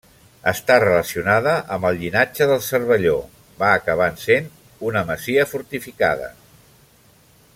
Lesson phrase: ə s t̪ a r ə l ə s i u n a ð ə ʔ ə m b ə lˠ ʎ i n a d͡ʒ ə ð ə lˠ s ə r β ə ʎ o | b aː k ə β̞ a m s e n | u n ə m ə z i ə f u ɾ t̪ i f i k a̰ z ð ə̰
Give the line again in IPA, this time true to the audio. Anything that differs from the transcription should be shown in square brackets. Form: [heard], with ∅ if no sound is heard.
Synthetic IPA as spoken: ə s t̪ a r ə l ə s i u n a ð ə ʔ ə m b ə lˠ ʎ i n a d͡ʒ ə ð ə lˠ s ə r β ə ʎ o | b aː k ə β̞ a [n] s e n | u n ə m ə z i ə f u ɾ t̪ i f i k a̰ [∅] ð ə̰